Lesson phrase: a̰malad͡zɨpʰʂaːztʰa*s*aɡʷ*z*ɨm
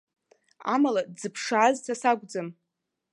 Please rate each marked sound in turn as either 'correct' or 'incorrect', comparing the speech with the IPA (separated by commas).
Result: correct, incorrect